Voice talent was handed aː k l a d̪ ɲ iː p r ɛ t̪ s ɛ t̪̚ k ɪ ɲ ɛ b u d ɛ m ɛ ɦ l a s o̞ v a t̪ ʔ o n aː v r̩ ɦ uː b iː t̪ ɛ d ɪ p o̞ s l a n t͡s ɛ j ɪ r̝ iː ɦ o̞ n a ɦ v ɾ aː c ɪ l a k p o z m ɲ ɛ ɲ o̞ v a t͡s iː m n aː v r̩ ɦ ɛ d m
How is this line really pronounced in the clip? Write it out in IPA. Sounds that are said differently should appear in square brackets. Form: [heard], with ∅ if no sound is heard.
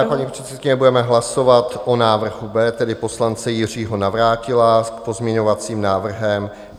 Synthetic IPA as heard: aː k l a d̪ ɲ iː p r ɛ t̪ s ɛ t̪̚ k ɪ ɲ ɛ b u d ɛ m ɛ ɦ l a s o̞ v a t̪ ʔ o n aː v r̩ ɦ [u] b [ɛː] t̪ ɛ d ɪ p o̞ s l a n t͡s ɛ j ɪ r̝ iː ɦ o̞ n a [∅] v ɾ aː c ɪ l a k p o z m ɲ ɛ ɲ o̞ v a t͡s iː m n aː v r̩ ɦ ɛ [∅] m